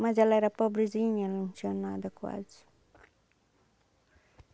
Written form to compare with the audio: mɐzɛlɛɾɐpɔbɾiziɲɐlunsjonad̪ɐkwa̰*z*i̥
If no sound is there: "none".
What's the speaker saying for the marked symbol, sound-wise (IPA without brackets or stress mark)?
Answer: z